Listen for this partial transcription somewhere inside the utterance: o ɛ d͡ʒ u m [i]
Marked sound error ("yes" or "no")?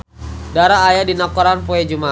yes